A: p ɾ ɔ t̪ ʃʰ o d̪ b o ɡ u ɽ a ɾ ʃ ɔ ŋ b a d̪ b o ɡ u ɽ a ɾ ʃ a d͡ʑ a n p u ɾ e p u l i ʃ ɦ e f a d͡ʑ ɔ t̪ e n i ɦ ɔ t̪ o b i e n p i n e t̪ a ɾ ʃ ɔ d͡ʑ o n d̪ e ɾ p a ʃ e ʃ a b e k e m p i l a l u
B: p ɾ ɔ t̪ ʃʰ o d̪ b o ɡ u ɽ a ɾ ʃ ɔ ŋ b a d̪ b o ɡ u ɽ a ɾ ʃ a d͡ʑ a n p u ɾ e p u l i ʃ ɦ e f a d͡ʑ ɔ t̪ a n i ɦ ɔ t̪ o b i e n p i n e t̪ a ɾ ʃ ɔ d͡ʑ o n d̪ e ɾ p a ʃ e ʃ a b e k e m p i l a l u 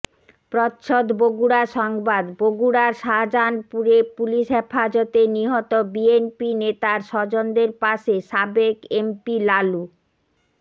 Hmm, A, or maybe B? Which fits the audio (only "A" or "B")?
A